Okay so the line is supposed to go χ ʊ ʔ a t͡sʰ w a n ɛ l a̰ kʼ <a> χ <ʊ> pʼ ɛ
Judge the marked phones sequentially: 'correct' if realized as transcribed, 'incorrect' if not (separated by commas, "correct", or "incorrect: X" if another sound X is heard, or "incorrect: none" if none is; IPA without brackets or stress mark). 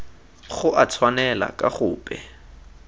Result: correct, incorrect: ʊː